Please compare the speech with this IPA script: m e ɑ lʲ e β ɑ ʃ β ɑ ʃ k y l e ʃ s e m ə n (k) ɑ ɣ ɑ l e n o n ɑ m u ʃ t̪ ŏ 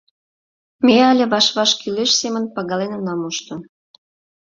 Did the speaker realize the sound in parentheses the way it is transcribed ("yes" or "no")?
no